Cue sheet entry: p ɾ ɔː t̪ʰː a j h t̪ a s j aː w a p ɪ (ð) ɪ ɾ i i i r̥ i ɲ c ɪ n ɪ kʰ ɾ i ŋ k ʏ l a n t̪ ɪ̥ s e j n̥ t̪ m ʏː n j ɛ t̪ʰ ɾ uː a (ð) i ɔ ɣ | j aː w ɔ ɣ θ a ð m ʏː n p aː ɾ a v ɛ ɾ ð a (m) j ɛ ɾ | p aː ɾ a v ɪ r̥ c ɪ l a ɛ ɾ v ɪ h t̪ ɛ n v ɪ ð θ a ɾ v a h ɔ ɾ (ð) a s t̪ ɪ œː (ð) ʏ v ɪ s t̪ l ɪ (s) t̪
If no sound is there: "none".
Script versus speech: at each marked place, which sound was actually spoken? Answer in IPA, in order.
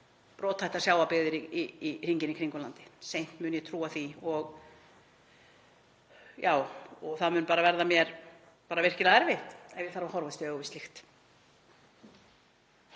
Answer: ð, θ, m, v, ɣ, x

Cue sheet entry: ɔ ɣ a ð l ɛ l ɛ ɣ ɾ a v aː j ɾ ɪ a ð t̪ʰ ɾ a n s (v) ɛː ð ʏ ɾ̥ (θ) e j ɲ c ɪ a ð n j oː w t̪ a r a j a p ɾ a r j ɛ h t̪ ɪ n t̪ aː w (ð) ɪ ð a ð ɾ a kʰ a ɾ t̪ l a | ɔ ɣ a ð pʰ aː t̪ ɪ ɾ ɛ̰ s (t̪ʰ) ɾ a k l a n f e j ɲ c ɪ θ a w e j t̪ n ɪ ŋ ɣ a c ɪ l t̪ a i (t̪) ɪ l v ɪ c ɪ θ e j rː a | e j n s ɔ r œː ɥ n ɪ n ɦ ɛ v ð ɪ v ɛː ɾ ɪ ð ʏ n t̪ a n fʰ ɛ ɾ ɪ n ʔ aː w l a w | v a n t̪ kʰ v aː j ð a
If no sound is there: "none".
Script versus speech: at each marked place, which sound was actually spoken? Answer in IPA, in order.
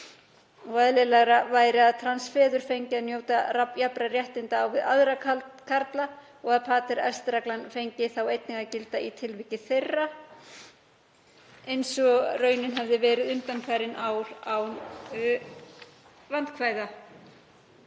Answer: f, f, v, t̪, t̪ʰ

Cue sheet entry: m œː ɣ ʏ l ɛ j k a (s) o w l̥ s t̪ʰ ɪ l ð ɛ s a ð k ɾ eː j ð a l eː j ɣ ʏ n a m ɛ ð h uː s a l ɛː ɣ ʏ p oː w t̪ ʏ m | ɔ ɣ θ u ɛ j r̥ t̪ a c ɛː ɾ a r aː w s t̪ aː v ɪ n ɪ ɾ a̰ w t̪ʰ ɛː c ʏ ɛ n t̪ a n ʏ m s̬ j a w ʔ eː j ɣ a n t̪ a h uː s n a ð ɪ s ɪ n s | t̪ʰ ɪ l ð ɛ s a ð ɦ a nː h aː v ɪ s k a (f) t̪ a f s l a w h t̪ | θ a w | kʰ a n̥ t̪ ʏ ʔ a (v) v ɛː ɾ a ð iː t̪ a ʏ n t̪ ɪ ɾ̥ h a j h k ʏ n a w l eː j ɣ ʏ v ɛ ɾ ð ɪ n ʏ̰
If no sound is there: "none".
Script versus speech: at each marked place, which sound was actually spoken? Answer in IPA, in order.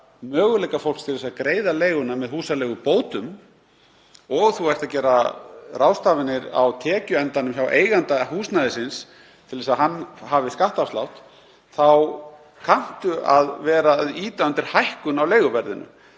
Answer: f, h, ð

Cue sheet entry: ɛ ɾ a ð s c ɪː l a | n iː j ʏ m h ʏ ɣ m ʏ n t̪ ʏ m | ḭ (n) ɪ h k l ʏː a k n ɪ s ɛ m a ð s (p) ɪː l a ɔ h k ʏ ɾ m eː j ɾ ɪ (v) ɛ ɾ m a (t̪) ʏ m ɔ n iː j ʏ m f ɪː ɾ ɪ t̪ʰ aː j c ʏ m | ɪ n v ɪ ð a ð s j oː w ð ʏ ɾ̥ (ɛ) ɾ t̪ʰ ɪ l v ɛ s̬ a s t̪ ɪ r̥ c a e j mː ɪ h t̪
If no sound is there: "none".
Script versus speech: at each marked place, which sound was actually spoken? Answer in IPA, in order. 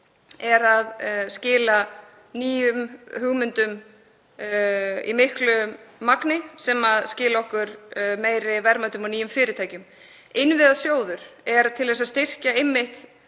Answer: m, c, v, t̪, ɛ

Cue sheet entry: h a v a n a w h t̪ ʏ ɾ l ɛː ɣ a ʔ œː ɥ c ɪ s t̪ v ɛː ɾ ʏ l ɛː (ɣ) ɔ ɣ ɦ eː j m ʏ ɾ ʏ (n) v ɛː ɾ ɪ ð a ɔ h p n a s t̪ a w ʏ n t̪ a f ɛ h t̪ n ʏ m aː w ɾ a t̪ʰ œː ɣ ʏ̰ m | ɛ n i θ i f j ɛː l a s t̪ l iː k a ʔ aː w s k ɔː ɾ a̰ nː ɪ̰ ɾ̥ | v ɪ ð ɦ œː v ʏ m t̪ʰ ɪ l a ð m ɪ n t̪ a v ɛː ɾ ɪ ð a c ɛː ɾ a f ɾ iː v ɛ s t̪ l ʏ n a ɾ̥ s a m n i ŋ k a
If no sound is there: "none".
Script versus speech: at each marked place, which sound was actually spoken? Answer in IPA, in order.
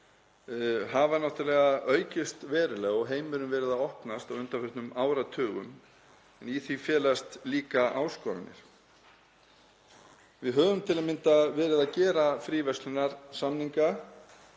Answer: ɣ, m

